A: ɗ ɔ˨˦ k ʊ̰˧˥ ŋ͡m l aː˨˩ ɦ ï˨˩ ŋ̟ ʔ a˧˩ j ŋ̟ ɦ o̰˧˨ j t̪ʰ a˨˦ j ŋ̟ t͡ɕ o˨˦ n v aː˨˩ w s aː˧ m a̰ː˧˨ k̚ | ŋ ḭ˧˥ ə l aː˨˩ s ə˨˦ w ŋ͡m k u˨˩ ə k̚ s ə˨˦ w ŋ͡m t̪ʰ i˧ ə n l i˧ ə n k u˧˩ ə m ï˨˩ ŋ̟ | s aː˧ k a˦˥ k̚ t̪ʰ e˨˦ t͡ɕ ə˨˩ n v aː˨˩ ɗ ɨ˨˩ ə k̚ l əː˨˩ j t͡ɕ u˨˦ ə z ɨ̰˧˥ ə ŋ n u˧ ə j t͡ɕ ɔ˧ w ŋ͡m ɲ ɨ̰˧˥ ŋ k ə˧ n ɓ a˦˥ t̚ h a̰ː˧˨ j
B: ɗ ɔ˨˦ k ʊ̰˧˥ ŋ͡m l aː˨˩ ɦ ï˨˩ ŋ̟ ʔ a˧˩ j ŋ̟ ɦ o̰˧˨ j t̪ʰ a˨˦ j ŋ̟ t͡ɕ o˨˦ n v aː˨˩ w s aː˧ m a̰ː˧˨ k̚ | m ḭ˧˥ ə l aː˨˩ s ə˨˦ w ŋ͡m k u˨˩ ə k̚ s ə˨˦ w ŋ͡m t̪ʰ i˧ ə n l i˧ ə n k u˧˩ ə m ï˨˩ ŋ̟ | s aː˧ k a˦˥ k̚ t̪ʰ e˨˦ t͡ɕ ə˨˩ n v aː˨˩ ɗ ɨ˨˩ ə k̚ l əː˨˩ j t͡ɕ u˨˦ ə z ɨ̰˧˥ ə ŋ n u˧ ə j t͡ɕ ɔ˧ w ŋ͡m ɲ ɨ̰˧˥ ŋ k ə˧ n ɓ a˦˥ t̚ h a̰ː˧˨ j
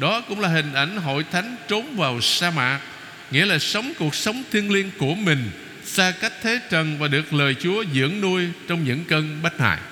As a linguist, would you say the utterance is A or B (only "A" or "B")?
A